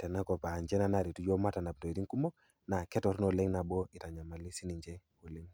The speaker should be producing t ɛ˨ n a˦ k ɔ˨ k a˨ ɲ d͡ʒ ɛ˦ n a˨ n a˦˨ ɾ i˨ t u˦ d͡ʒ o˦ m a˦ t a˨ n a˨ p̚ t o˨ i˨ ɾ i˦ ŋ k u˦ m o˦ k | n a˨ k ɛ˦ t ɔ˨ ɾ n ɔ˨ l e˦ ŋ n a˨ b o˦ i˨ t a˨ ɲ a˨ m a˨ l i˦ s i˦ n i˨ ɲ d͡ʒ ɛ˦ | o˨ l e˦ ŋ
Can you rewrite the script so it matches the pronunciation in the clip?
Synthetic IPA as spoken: t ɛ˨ n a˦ k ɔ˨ p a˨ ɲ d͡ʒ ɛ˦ n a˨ n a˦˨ ɾ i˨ t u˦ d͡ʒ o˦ m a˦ t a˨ n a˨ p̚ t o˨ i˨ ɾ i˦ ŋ k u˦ m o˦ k | n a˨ k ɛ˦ t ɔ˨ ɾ n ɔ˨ l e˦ ŋ n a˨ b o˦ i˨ t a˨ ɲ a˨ m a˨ l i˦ s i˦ n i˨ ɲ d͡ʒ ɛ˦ | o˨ l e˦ ŋ